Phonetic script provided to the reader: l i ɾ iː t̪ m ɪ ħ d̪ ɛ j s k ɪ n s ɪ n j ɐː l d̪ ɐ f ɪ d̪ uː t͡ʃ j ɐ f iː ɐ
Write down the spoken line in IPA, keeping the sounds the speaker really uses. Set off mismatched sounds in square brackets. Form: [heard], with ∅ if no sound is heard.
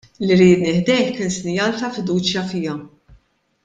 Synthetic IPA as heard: l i ɾ iː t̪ [n] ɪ ħ d̪ ɛ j [ħ] k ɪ n s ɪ n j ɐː l [t̪] ɐ f ɪ d̪ uː t͡ʃ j ɐ f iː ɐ